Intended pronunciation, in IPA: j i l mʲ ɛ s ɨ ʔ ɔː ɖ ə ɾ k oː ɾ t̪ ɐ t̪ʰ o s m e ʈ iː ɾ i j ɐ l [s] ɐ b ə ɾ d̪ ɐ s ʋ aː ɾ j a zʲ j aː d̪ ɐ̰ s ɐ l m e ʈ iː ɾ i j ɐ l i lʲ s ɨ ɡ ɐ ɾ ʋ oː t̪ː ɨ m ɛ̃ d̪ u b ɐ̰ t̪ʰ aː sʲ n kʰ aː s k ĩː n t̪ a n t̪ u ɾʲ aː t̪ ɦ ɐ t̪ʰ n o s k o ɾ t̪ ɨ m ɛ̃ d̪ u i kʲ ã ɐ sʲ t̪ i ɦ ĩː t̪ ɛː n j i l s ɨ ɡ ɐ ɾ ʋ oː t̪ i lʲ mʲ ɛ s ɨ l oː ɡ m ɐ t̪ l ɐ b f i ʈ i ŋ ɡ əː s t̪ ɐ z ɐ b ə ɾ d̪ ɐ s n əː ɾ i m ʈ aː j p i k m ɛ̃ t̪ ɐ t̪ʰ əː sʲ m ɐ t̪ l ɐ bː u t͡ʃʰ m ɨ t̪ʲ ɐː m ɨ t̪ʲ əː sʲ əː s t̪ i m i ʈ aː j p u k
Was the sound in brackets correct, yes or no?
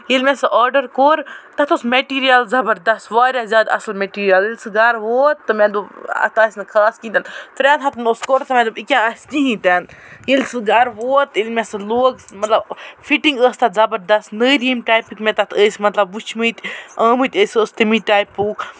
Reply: no